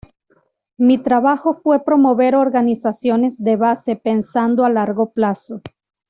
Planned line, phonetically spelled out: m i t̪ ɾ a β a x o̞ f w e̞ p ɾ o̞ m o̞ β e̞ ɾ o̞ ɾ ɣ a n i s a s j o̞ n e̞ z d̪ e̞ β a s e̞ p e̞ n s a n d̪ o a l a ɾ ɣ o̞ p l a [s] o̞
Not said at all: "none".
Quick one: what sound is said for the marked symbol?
s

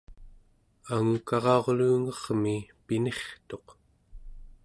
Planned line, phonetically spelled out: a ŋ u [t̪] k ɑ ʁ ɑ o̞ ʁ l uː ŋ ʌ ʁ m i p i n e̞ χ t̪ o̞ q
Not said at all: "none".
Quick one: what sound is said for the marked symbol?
none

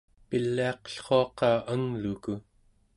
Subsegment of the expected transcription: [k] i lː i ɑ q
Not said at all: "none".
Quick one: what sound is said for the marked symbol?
p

